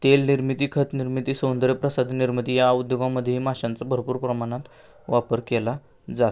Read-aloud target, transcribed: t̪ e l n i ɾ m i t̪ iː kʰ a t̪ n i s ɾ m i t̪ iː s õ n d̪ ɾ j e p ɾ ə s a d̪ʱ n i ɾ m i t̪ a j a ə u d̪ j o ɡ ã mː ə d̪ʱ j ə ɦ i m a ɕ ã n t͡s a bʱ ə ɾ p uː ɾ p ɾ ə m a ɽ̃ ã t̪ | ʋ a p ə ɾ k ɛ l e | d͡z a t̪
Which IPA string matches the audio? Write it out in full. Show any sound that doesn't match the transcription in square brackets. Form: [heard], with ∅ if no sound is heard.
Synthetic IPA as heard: t̪ e l n i ɾ m i t̪ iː kʰ [ə] t̪ n i [∅] ɾ m i t̪ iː s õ n d̪ ɾ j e p ɾ ə s a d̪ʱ n i ɾ m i t̪ [i] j a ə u d̪ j o ɡ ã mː ə d̪ʱ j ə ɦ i m a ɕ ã n t͡s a bʱ ə ɾ p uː ɾ p ɾ ə m a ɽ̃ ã t̪ | ʋ a p ə ɾ k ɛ l [a] | d͡z a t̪